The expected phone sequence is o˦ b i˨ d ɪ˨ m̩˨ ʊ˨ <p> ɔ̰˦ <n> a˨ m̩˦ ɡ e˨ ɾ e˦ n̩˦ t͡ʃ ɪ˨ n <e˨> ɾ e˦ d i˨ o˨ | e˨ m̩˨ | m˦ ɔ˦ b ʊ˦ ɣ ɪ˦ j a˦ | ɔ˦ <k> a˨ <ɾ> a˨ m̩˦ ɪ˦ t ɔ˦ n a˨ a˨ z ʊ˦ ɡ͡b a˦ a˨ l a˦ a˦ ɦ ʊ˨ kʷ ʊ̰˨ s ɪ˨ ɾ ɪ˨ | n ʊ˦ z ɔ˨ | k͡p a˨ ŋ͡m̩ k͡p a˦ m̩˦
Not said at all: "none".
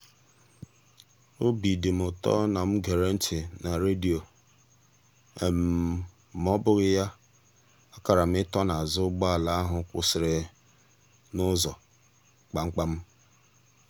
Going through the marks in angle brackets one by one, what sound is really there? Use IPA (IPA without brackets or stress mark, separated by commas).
t, n, a˨, k, ɾ